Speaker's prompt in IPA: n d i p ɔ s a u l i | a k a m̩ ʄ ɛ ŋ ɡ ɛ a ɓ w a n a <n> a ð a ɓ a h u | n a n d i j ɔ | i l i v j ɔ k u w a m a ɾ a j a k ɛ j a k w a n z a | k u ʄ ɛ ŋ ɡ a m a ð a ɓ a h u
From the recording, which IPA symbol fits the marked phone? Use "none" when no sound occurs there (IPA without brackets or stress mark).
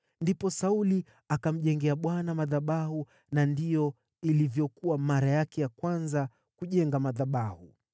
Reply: m